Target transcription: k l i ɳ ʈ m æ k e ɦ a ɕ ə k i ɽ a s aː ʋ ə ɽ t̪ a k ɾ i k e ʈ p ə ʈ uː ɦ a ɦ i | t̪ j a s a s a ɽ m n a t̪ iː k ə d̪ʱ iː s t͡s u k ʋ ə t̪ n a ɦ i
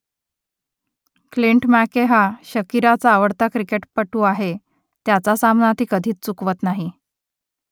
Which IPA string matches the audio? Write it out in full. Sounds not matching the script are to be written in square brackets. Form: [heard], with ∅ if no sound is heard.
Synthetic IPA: k l i ɳ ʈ m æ k e ɦ a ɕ ə k i [ɾ] a [t͡s] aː ʋ ə ɽ t̪ a k ɾ i k e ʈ p ə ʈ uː [∅] a ɦ [e] | t̪ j a [t͡s] a s a [∅] m n a t̪ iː k ə d̪ʱ iː [t͡s] t͡s u k ʋ ə t̪ n a ɦ i